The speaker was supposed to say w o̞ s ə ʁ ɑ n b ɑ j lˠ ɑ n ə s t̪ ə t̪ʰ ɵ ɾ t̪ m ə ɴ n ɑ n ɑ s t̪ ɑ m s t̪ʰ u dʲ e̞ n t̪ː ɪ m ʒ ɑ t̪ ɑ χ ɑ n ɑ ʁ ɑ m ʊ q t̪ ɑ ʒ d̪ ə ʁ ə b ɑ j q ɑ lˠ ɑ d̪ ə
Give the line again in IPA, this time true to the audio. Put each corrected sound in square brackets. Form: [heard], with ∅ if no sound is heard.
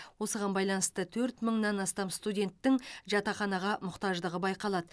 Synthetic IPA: w o̞ s ə ʁ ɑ n b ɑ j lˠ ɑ n ə s t̪ ə t̪ʰ ɵ ɾ t̪ m ə ɴ n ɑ n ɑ s t̪ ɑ m s [t̪] u dʲ e̞ n t̪ː ɪ [ŋ] ʒ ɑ t̪ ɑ χ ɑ n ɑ ʁ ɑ m ʊ q t̪ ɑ ʒ d̪ ə ʁ ə b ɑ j q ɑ lˠ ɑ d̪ ə